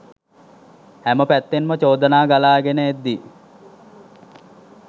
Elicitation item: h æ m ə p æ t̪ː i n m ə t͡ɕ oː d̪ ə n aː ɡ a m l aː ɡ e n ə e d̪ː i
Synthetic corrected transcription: h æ m ə p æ t̪ː e n m ə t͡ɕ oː d̪ ə n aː ɡ a l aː ɡ e n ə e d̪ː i